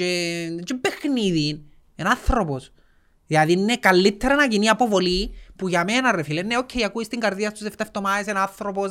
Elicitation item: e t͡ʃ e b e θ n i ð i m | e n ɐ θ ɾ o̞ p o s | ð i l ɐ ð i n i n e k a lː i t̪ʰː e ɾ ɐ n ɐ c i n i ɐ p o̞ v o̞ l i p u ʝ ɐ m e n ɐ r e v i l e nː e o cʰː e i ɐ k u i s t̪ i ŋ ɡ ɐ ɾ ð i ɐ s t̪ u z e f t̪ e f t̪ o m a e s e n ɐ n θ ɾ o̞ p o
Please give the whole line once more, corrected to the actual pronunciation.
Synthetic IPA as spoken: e t͡ʃ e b e x n i ð i n | e n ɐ θ ɾ o̞ p o s | ð i l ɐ ð i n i n e k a lː i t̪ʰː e ɾ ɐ n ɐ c i n i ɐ p o̞ v o̞ l i p u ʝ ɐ m e n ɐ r e f i l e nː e o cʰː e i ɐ k u i s t̪ i ŋ ɡ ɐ ɾ ð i ɐ s t̪ u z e f t̪ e f t̪ o m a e s e n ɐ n θ ɾ o̞ p o